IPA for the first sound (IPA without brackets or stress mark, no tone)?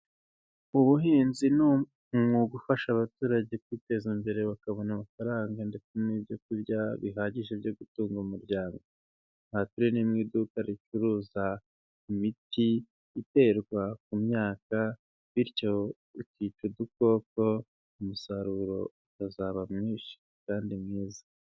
u